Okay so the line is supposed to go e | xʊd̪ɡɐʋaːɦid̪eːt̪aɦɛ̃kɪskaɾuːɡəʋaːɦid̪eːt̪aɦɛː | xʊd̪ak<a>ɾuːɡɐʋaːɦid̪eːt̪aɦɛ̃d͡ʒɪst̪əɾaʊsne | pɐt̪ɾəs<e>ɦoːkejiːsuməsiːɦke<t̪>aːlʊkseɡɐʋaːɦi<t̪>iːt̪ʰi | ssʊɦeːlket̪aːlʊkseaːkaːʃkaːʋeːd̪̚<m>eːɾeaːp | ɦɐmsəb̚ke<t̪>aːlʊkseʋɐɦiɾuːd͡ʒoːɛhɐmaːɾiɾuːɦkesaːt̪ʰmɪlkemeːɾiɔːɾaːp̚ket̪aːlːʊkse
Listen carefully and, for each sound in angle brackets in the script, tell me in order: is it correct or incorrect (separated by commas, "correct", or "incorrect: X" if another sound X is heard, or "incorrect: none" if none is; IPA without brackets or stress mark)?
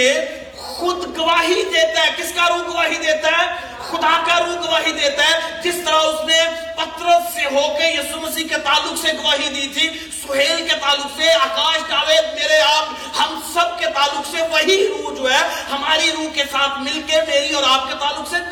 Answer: correct, correct, correct, incorrect: d̪, correct, correct